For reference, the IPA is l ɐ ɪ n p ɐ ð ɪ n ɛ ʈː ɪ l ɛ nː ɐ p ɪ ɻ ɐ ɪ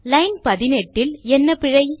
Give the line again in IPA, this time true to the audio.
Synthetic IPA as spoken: l ɐ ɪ n p ɐ ð ɪ n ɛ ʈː ɪ l ɛ nː ɐ p ɪ ɻ ɐ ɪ